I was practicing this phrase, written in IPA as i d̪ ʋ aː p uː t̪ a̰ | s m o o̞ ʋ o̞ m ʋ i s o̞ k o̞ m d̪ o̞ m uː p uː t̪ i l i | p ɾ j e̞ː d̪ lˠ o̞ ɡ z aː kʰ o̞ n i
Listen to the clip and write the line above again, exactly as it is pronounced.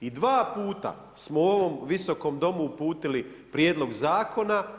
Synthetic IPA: i d̪ ʋ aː p uː t̪ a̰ | s m o o̞ ʋ o̞ m ʋ i s o̞ k o̞ m d̪ o̞ m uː p uː t̪ i l i | p ɾ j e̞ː d̪ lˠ o̞ ɡ z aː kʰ o̞ n a